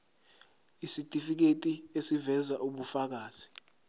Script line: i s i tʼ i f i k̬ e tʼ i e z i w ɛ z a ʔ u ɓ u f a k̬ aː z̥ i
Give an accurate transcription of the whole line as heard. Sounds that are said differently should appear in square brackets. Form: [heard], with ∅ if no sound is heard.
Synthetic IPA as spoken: i s i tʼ i f i k̬ e tʼ i e [s] i [v] ɛ z a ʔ u ɓ u f a k̬ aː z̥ i